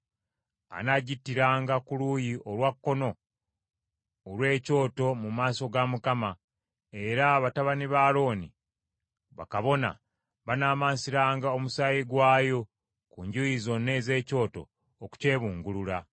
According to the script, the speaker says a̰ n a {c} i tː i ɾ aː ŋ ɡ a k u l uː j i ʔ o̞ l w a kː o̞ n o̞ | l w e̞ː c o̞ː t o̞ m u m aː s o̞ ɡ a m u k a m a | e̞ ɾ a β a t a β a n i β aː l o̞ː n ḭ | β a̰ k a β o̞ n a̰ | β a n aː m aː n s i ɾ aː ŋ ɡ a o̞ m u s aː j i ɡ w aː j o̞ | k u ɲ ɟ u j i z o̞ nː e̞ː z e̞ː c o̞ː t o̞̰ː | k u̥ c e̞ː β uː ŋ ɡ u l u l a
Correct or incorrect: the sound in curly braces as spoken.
incorrect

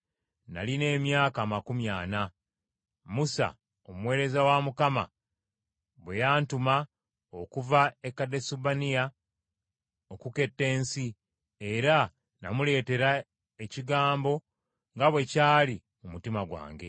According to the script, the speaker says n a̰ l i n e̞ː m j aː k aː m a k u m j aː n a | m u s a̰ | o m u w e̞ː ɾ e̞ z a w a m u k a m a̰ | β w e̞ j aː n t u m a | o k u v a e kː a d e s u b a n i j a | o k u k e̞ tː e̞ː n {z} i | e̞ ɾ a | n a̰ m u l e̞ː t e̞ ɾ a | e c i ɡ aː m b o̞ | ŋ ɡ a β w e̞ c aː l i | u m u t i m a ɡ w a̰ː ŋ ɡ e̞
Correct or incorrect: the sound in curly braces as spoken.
incorrect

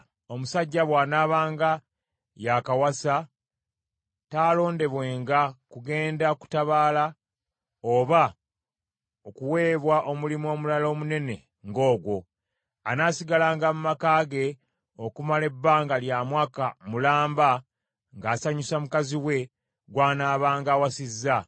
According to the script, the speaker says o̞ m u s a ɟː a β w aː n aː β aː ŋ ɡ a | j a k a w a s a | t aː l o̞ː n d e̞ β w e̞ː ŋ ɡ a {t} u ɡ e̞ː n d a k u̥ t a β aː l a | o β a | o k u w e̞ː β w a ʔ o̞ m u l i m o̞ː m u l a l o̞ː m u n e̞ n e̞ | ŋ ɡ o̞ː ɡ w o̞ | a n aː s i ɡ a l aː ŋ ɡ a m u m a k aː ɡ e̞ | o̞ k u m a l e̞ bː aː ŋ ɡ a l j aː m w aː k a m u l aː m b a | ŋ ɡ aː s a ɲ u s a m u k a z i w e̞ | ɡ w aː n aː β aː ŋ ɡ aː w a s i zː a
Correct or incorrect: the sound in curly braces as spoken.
incorrect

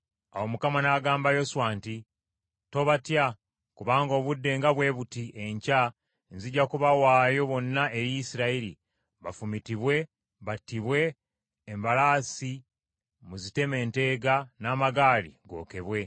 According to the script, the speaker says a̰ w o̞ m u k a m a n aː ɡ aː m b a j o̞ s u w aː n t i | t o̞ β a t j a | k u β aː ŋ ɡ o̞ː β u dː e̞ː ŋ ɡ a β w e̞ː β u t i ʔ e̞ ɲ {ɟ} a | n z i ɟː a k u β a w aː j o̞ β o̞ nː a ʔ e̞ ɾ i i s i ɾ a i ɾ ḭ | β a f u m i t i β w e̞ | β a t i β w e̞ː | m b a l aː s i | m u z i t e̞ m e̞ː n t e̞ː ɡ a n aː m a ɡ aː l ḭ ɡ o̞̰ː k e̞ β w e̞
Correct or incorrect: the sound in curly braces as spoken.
incorrect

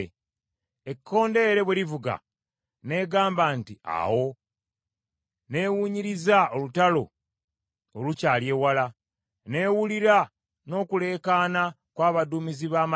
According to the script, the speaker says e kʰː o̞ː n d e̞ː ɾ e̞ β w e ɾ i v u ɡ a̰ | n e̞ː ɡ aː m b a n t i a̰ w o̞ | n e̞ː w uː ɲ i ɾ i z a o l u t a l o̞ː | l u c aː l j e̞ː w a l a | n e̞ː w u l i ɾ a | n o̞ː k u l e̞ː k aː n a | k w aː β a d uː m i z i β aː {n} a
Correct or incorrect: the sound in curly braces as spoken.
incorrect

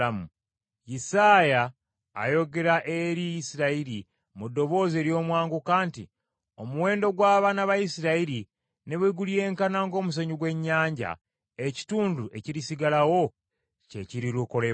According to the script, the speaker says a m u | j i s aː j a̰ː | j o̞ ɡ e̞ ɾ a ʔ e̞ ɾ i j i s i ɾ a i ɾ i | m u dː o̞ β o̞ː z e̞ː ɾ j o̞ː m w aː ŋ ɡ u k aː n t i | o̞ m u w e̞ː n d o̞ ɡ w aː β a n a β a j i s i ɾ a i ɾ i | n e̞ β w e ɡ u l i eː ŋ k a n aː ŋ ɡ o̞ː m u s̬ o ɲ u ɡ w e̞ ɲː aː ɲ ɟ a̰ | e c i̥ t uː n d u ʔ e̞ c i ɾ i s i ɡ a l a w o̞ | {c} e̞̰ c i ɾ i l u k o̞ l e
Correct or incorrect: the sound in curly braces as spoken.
correct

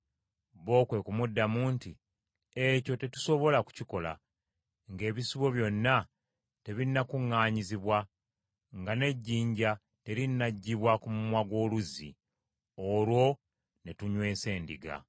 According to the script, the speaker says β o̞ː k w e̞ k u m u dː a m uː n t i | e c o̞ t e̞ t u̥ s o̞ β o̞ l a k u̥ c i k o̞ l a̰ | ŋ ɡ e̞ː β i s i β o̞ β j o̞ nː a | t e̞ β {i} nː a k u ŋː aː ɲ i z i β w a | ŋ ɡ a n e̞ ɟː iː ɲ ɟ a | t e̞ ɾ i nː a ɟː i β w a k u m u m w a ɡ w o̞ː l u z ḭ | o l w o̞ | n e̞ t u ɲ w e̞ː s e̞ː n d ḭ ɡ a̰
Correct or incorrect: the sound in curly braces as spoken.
correct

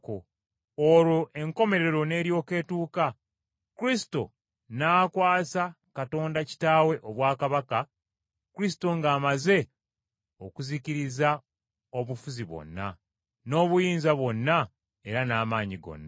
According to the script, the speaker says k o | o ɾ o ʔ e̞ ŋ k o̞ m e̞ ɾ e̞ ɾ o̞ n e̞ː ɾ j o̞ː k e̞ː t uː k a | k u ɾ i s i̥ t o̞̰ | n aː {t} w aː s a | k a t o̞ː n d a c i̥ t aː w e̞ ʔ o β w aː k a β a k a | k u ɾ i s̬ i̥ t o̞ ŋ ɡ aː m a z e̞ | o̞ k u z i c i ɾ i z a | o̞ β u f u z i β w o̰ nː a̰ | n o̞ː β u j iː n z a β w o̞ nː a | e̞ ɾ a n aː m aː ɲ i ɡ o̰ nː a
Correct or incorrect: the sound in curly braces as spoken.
incorrect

